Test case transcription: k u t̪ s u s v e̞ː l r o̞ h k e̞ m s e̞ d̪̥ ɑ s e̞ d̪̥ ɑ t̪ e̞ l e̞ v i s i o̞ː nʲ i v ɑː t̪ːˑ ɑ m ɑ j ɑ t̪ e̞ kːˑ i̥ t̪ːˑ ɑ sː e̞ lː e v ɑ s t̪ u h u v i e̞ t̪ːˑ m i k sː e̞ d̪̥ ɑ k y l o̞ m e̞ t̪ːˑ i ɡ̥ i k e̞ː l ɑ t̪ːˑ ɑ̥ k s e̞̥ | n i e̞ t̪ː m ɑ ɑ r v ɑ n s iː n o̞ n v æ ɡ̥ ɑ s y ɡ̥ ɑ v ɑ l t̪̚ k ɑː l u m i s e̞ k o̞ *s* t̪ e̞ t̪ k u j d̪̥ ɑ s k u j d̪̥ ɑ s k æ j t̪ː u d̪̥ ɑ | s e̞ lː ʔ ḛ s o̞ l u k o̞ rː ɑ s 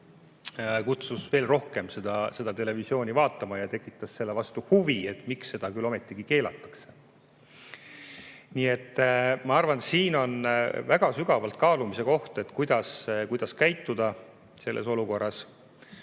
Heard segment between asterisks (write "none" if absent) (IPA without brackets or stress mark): h